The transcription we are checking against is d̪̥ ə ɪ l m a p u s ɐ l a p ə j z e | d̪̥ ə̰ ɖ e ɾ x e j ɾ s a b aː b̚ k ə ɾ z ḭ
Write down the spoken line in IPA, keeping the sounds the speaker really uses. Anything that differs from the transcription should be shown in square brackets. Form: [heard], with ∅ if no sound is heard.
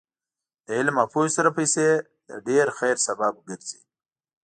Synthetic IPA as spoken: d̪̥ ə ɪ l m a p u s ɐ [ɾ] a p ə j [s] e | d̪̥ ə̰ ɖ e ɾ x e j ɾ s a b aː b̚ [ɡ] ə ɾ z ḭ